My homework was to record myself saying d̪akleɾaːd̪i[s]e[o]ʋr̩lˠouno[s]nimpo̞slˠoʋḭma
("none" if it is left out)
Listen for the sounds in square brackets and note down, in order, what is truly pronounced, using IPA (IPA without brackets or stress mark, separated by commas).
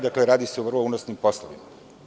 s, u, s